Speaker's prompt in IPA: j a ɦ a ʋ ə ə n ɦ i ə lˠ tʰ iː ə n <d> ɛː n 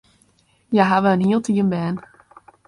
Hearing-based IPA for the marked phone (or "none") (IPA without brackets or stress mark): b